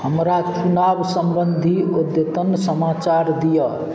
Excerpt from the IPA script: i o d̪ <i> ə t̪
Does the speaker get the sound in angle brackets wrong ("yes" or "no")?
yes